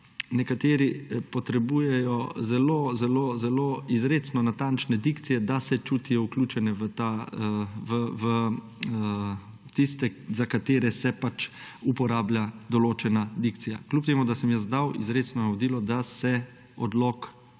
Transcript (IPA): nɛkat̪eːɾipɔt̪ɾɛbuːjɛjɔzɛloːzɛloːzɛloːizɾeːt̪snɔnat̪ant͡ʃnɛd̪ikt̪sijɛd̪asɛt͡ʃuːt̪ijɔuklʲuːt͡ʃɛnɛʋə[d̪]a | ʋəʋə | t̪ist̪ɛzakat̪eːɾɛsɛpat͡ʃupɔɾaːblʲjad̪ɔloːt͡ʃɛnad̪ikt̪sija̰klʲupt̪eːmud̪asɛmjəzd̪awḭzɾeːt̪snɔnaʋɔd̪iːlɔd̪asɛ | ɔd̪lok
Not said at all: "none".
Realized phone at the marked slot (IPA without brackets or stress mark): t̪